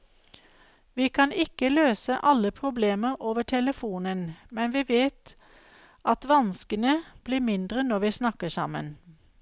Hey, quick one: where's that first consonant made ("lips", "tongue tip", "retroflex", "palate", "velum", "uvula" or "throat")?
lips